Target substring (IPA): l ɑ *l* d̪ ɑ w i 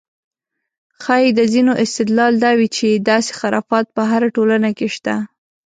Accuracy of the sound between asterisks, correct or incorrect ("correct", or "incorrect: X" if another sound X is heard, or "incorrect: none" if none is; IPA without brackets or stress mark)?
correct